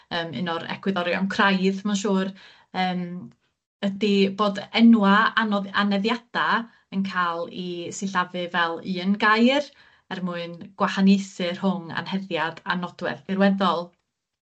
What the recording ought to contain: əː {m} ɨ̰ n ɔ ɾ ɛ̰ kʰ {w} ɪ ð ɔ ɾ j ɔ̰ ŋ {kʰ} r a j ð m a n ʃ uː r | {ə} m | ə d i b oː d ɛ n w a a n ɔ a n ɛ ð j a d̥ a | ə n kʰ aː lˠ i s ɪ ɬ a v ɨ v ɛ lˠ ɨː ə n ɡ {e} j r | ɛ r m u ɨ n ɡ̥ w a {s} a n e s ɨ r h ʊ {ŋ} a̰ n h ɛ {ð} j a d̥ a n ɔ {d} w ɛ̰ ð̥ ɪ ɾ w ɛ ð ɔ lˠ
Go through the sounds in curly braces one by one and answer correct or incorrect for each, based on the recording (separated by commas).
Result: correct, correct, correct, incorrect, incorrect, incorrect, correct, correct, correct